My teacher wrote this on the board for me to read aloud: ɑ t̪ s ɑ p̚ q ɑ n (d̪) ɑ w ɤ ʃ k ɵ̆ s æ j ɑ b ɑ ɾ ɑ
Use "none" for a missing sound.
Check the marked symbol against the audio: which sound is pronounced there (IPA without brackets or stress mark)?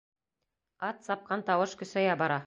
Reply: t̪